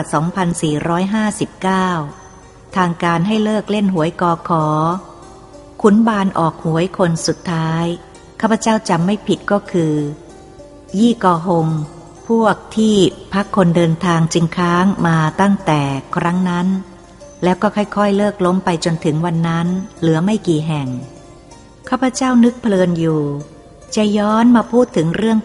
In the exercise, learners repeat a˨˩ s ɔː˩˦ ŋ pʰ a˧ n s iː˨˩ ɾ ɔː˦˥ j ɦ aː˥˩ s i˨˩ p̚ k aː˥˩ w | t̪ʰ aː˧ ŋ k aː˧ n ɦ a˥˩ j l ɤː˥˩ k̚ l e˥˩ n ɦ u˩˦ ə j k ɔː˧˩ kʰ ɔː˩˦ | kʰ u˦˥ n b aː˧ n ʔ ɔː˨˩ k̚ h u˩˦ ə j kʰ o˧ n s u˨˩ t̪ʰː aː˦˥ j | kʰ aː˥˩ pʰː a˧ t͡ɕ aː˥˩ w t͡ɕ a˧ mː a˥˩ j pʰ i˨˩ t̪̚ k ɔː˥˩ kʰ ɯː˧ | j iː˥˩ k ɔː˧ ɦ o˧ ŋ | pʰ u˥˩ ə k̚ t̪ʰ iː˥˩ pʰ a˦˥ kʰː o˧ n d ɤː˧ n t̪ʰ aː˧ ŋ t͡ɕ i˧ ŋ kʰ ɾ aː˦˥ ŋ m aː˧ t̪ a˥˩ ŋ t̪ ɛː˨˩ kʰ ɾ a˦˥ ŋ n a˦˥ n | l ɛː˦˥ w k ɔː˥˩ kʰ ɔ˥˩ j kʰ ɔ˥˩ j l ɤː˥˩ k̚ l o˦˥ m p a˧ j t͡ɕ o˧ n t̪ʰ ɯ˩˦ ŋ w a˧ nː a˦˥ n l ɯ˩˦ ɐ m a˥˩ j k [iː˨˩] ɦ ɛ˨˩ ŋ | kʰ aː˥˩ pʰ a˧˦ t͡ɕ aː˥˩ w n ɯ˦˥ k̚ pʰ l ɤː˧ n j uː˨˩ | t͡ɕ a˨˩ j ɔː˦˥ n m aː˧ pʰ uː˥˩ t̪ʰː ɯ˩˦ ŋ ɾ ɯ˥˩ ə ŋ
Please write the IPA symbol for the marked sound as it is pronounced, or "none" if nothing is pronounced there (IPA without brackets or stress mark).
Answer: iː˨˩